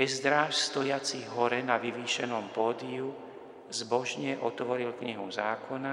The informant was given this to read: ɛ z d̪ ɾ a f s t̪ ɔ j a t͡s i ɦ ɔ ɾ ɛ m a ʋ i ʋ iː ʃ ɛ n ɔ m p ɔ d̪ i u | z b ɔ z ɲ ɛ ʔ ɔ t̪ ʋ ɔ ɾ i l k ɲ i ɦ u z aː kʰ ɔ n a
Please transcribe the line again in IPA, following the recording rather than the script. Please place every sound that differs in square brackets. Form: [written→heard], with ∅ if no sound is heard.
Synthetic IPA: ɛ z d̪ ɾ a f s t̪ ɔ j a t͡s i ɦ ɔ ɾ ɛ [m→n] a ʋ i ʋ iː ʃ ɛ n ɔ m p [ɔ→ɔː] d̪ i u | z b ɔ [z→ʒ] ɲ ɛ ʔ ɔ t̪ ʋ ɔ ɾ i l k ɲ i ɦ u z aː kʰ ɔ n a